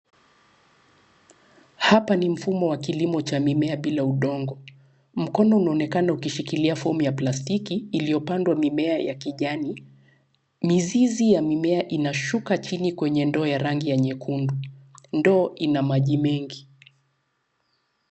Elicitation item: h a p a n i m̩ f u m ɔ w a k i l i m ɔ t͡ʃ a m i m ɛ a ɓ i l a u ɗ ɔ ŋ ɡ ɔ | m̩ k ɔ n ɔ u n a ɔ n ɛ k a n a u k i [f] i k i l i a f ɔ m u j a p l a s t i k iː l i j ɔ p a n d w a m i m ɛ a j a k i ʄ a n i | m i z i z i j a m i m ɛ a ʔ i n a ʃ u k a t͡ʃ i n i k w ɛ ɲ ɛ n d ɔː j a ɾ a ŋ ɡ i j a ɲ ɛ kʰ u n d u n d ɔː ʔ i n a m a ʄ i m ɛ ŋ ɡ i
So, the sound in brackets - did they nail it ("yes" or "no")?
no